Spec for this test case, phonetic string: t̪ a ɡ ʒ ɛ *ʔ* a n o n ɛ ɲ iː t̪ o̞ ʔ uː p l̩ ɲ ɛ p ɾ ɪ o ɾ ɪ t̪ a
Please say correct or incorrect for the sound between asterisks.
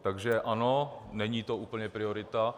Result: correct